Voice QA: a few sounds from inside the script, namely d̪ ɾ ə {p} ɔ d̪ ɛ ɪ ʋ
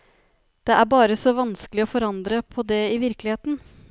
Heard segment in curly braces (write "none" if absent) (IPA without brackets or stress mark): pʰ